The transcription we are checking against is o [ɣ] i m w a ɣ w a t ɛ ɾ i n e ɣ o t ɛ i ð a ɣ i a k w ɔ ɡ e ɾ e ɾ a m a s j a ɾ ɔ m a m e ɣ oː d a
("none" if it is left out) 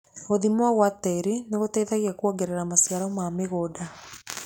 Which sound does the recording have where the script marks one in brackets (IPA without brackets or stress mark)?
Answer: ð